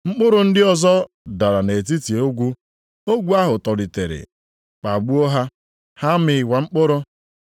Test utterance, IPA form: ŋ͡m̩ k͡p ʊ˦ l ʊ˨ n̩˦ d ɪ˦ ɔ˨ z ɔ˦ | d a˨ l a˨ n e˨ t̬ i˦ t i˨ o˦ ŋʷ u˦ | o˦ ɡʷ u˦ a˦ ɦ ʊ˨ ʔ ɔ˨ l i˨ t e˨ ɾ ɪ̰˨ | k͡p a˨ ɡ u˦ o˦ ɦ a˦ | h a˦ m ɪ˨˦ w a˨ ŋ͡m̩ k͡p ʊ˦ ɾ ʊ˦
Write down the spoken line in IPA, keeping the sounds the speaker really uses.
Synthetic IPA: ŋ͡m̩ k͡p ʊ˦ ɾ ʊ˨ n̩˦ d ɪ˦ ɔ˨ z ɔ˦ | d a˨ ɾ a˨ n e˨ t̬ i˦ t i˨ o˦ ɡʷ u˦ | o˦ ɡʷ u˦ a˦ ɦ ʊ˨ t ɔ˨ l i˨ t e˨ ɾ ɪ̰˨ | k͡p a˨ ɡ͡b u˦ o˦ ɦ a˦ | h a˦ m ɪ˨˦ w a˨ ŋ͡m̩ k͡p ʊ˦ ɾ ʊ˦